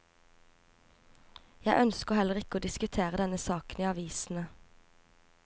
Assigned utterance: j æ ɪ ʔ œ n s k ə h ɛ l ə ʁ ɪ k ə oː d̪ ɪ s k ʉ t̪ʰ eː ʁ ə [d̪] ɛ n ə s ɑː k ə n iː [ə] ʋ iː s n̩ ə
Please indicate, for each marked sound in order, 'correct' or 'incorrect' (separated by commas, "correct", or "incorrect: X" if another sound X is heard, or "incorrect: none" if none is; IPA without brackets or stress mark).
correct, incorrect: ɑ